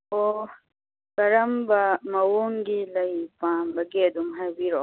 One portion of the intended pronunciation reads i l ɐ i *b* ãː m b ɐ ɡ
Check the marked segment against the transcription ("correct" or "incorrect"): incorrect